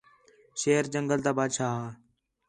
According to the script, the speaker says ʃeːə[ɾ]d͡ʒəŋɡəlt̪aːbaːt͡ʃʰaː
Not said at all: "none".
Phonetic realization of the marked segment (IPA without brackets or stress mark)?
ɾ